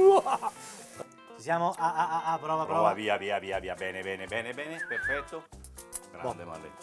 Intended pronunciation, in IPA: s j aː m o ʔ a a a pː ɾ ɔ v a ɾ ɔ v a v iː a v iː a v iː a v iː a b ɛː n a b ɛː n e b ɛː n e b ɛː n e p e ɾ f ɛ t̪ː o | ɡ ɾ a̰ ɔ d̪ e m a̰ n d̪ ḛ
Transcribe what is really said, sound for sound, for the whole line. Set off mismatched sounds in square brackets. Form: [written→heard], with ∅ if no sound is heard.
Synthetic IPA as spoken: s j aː m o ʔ a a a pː ɾ ɔ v a ɾ ɔ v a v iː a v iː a v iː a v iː a b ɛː n [a→e] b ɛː n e b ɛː n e b ɛː n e p e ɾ f ɛ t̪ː o | ɡ ɾ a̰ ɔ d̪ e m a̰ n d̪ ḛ